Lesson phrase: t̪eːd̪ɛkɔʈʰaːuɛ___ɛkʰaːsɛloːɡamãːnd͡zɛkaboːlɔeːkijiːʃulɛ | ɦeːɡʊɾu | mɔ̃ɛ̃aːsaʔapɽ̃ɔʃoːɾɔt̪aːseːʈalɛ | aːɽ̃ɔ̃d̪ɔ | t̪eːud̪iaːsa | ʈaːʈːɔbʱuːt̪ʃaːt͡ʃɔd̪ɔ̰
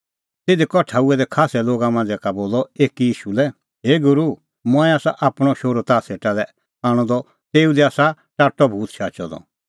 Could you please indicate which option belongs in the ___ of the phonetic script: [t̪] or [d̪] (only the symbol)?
d̪